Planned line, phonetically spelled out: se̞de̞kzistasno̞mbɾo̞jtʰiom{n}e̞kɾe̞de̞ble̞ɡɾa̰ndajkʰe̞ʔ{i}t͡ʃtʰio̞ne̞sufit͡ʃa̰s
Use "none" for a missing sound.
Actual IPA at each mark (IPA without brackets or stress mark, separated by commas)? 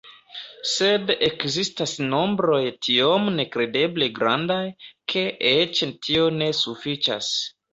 n, e